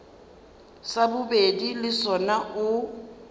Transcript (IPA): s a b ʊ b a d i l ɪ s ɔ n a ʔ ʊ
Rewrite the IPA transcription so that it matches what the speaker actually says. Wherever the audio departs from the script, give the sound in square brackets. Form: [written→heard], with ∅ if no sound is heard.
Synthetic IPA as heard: s a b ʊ b [a→e] d i l ɪ s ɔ n a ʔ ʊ